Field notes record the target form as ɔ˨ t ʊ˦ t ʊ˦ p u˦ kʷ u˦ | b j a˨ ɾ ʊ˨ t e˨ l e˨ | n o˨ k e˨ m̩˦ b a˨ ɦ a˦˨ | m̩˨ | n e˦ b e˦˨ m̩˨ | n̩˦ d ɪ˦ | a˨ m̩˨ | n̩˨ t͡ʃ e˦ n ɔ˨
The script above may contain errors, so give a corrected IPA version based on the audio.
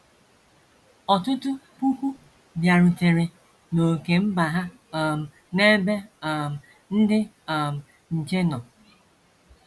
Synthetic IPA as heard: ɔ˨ t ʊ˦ t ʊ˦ p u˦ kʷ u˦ | b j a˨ ɾ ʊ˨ t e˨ ɾ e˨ | n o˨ k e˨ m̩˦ b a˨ ɦ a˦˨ | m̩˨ | n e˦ b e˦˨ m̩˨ | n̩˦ d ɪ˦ | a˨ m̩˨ | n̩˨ t͡ʃ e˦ n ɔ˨

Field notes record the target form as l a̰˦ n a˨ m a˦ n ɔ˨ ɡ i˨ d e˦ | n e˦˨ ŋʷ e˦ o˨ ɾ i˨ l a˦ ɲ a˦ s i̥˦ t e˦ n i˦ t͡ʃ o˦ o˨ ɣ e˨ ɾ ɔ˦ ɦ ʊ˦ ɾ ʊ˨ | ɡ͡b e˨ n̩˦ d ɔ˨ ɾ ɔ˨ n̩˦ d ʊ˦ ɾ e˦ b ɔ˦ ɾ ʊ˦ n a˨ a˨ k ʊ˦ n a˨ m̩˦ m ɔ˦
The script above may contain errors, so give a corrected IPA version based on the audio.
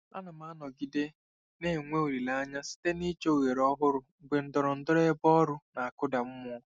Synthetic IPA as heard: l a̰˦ n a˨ m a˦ n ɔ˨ ɡ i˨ d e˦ | n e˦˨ ŋʷ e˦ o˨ ɾ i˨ l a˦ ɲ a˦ s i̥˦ t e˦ n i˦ t͡ʃ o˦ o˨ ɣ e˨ ɾ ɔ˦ ɦ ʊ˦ ɾ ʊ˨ | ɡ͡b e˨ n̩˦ d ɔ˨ ɾ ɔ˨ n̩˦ d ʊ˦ ɾ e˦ b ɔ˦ ɾ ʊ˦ n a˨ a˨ k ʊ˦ d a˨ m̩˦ m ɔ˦

